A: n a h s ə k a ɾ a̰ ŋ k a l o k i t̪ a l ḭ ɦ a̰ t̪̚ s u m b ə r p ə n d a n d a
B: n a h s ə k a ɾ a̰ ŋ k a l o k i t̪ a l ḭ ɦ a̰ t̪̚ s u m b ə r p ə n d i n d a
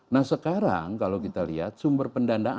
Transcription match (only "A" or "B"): A